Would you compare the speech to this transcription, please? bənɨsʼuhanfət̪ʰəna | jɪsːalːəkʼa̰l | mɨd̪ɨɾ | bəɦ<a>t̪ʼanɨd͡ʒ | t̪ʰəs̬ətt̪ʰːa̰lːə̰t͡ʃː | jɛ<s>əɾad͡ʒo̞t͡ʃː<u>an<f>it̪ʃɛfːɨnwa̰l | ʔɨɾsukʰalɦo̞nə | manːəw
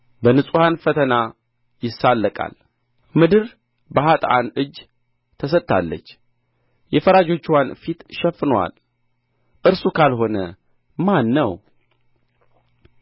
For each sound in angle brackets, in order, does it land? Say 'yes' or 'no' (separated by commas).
yes, no, no, yes